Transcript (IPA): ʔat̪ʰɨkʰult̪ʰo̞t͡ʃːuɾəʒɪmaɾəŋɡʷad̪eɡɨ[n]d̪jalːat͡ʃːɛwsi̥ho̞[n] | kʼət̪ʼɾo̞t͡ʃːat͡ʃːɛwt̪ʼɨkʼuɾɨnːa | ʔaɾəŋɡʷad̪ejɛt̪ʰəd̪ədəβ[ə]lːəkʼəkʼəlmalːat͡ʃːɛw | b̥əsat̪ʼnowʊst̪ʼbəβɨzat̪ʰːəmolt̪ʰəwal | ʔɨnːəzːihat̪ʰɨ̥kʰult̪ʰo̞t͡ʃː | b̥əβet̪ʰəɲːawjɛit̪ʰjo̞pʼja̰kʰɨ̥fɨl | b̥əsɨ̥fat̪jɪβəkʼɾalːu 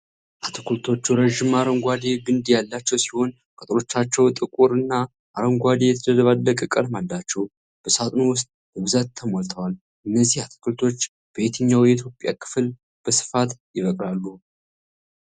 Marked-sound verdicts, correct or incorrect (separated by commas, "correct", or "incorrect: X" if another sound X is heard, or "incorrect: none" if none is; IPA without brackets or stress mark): correct, correct, incorrect: a